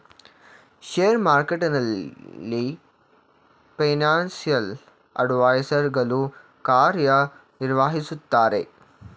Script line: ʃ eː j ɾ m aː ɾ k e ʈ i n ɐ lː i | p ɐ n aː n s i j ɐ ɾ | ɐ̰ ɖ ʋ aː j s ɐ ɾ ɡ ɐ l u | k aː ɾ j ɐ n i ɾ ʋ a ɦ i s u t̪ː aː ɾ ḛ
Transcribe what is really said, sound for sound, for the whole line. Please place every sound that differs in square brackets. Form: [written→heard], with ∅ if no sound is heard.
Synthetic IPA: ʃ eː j ɾ m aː ɾ k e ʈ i n ɐ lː i | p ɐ n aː n s i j ɐ [ɾ→l] | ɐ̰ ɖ ʋ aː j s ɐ ɾ ɡ ɐ l u | k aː ɾ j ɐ n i ɾ ʋ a ɦ i s u t̪ː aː ɾ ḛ